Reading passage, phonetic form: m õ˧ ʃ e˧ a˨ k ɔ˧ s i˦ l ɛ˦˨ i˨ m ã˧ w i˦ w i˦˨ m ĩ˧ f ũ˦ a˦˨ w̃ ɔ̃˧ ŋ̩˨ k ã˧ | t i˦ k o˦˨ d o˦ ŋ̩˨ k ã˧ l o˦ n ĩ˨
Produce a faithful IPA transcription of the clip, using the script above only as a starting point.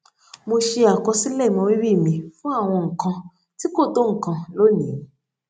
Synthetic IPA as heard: m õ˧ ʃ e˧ a˨ k ɔ˧ s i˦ l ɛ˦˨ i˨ m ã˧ w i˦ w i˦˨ m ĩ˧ f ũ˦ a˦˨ w̃ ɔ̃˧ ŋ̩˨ k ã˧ | t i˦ k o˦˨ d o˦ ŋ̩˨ k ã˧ l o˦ n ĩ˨